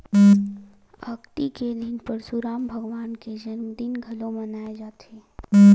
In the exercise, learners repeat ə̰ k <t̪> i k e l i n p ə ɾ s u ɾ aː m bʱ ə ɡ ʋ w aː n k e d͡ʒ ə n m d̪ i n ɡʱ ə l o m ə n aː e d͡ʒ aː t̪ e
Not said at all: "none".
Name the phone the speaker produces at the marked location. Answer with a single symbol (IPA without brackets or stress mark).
t̪